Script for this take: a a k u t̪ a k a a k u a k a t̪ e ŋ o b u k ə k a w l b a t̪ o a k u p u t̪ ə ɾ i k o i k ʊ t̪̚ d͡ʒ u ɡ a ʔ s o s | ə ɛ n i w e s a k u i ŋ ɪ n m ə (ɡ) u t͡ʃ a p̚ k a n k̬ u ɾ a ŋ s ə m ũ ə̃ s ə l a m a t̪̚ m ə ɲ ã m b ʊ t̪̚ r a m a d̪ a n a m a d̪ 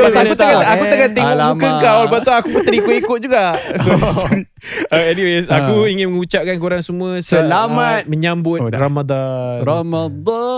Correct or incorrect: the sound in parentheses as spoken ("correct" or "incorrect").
incorrect